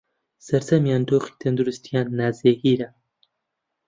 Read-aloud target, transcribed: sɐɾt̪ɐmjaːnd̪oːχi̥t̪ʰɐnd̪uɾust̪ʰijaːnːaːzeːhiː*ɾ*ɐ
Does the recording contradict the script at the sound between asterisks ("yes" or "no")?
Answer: no